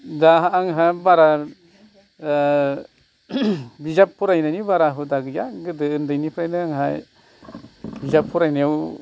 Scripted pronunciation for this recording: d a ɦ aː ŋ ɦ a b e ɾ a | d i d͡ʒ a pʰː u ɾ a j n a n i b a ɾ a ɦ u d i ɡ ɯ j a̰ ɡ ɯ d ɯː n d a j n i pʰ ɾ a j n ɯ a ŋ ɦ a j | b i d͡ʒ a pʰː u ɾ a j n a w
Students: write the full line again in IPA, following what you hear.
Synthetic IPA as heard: d a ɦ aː ŋ ɦ a b a ɾ a | b i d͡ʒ a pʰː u ɾ a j n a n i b a ɾ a ɦ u d a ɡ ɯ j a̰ ɡ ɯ d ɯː n d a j n i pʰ ɾ a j n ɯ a ŋ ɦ a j | b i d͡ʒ a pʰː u ɾ a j n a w